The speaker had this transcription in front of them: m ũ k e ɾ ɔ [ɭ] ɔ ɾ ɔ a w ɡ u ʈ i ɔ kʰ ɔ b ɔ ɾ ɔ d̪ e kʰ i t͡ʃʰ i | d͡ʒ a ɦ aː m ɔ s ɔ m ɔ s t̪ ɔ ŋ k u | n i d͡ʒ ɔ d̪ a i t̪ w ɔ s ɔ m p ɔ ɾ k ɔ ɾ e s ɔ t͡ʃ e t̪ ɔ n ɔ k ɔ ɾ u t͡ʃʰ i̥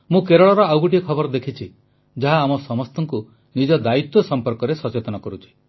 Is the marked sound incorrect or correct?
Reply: correct